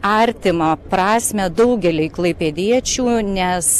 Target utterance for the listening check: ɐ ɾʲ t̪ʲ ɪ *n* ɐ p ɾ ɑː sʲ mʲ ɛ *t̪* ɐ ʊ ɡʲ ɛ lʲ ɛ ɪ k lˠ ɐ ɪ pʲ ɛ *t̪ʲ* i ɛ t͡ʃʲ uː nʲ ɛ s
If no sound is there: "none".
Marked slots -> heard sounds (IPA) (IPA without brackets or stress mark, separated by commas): m, d̪, d̪ʲ